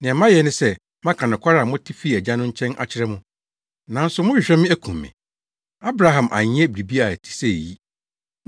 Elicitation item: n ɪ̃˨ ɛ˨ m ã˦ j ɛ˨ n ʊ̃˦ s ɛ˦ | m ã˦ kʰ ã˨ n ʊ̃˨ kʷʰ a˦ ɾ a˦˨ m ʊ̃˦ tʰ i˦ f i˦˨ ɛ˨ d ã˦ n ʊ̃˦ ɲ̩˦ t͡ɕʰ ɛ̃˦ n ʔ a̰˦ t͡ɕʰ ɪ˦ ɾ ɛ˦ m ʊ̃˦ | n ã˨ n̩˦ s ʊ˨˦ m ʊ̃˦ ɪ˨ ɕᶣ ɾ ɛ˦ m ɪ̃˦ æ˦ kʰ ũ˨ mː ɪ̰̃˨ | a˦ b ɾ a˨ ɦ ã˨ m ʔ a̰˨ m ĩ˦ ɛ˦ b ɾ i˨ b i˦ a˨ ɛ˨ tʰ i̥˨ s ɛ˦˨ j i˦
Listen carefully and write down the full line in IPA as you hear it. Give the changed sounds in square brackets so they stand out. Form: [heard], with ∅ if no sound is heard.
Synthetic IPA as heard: n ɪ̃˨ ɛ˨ m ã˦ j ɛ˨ n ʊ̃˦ s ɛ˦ | m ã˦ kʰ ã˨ n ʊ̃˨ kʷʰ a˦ ɾ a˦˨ m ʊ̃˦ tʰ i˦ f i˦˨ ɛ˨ [d͡ʑ] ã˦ n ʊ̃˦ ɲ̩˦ t͡ɕʰ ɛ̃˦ n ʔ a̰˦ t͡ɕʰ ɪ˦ ɾ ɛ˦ m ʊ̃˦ | n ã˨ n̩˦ s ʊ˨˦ m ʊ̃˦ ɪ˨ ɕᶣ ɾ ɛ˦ m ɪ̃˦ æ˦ kʰ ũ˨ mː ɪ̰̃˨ | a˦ b ɾ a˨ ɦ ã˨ m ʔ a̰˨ [ɲ] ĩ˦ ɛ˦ b ɾ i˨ b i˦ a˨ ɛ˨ tʰ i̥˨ s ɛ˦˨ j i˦